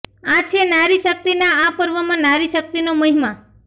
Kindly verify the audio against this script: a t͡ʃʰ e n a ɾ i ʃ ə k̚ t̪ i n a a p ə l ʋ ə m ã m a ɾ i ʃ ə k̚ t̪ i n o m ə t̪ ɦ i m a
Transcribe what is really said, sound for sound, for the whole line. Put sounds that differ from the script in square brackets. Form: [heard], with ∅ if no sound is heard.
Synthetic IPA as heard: a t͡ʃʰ e n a ɾ i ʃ ə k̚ t̪ i n a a p ə [ɾ] ʋ ə m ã [n] a ɾ i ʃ ə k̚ t̪ i n o m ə [∅] ɦ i m a